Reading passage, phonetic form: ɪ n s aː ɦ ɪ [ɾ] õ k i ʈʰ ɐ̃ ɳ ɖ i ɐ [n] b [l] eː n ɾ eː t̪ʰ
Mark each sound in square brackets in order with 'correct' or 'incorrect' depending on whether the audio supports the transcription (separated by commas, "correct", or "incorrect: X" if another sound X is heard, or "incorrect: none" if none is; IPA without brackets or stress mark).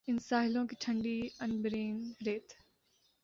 incorrect: l, correct, incorrect: ɾ